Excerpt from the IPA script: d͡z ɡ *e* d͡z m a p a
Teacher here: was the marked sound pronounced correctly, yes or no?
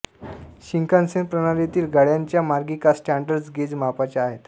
yes